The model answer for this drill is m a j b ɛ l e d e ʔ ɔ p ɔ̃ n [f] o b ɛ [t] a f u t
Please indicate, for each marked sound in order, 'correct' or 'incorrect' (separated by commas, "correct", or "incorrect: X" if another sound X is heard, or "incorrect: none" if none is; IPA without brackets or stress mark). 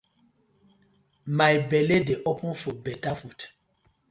correct, correct